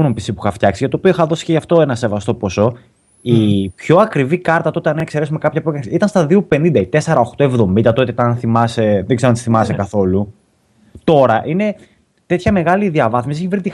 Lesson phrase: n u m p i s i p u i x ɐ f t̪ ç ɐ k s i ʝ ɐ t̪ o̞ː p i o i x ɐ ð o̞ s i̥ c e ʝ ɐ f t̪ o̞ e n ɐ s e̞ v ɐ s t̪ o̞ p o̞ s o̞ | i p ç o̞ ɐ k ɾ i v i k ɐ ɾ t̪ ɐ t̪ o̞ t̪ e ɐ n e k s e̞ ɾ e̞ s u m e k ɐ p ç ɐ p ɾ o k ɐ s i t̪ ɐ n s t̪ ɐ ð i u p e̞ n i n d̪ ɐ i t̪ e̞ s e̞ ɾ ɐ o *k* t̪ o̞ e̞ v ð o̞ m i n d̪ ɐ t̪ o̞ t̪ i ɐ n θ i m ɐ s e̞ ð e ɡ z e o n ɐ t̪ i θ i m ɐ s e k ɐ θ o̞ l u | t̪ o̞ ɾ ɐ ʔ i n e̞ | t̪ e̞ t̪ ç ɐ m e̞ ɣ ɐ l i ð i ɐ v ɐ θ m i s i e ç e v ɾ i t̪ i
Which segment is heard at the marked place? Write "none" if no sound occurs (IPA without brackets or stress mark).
x